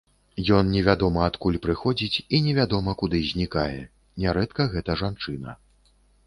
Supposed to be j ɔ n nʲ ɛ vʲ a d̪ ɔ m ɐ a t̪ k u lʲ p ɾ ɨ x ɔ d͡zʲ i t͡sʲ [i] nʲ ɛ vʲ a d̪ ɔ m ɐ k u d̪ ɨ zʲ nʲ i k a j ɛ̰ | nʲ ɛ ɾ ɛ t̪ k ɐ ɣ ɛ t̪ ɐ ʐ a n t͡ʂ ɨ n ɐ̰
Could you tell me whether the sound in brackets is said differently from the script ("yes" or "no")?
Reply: no